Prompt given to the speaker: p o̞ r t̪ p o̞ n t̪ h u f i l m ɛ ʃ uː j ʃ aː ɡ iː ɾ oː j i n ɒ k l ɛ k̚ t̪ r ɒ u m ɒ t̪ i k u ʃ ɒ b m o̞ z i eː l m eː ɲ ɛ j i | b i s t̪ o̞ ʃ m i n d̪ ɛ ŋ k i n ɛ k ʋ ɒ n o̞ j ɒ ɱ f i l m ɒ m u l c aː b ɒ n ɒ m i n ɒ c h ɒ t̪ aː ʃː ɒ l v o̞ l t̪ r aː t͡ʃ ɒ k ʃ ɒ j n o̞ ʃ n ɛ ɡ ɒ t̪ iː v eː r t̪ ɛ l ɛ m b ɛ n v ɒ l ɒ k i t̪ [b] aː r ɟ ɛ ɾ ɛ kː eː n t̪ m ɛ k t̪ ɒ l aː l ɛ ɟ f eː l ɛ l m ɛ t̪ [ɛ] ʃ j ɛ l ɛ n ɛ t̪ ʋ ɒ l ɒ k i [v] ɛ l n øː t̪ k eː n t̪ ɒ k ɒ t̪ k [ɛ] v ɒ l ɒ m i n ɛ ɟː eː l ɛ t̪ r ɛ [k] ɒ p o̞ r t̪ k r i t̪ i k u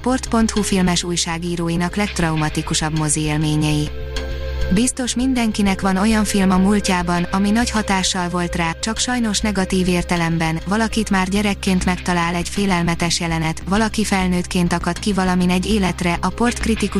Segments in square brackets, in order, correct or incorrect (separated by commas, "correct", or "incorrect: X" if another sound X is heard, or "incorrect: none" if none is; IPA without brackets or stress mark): incorrect: m, correct, incorrect: f, incorrect: i, incorrect: ʔ